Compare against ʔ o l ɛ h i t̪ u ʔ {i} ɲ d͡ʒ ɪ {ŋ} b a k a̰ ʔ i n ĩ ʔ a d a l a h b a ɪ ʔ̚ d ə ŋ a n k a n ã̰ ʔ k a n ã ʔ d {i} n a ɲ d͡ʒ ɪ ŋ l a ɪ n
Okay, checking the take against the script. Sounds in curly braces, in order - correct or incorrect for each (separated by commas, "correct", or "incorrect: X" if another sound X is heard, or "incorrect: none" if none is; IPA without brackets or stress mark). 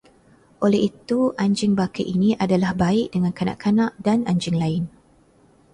incorrect: a, correct, incorrect: a